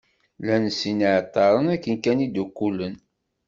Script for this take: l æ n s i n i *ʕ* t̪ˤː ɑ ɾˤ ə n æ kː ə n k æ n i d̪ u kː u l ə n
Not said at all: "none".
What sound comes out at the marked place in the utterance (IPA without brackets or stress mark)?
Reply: ʕ